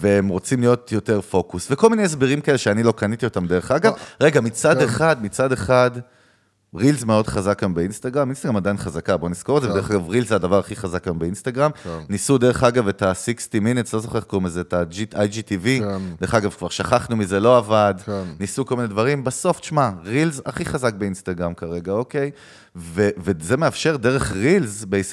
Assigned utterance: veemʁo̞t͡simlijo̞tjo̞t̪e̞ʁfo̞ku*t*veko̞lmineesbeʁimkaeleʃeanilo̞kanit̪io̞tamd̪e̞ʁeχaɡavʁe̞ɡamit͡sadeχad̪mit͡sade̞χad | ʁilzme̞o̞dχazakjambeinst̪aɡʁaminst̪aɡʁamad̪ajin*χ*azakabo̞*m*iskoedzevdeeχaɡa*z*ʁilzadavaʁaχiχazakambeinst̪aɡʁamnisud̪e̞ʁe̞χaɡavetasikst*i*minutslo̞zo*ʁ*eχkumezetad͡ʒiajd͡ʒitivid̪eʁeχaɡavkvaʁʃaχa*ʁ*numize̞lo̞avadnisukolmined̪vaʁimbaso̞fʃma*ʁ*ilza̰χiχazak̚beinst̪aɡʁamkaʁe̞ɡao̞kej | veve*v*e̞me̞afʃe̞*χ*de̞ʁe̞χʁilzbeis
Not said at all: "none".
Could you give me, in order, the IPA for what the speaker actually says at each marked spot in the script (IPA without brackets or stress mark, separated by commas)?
s, χ, n, v, i, χ, χ, ʁ, z, ʁ